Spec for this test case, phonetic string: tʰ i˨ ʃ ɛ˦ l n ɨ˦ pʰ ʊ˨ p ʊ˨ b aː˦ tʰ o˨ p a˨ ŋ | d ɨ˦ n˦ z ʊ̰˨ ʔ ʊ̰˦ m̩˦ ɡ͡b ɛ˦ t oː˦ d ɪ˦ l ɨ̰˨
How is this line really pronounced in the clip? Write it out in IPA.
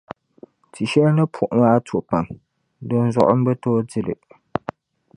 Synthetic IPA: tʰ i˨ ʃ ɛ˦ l n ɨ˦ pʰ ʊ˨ ʔ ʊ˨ m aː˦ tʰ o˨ p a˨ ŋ | d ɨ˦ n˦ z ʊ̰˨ ʔ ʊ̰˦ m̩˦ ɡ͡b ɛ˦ t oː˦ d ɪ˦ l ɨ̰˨